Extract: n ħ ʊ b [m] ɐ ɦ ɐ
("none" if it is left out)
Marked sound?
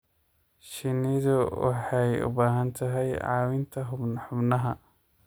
n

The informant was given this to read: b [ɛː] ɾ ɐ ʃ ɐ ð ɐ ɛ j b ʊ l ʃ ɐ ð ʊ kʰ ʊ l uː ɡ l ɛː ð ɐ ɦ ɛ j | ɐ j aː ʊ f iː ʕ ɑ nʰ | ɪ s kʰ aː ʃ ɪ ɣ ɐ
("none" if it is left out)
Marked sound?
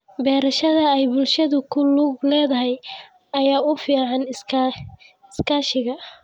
ɛː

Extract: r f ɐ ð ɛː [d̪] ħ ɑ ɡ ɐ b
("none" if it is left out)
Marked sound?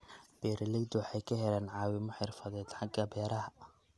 d̪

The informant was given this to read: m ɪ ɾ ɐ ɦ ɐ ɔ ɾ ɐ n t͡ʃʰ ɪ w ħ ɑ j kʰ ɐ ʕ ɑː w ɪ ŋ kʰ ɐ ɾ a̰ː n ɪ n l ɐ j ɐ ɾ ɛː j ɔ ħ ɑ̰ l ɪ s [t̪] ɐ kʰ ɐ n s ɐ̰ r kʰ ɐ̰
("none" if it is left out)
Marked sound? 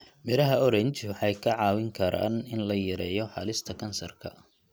t̪ʰ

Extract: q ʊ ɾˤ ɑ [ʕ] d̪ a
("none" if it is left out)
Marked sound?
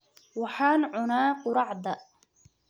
ʕ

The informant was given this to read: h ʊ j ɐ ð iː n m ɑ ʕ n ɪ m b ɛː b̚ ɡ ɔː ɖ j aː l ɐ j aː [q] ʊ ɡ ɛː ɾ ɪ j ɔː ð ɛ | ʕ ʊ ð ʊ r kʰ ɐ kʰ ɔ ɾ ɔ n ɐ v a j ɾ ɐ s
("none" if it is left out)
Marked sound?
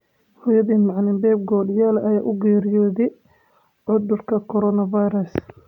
ʔ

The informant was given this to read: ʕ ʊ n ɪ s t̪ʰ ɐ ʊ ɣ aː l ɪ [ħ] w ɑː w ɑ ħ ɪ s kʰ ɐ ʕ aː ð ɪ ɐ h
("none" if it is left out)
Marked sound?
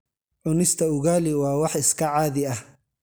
none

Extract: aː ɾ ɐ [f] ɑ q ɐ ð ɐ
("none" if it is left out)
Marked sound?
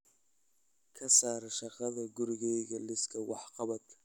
ʃ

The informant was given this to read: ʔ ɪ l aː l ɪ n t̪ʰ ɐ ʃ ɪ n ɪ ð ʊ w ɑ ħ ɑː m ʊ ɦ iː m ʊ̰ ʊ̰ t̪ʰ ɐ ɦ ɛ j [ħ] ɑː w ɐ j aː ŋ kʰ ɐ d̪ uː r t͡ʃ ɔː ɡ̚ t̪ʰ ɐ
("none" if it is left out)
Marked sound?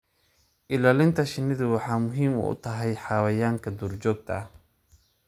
ħ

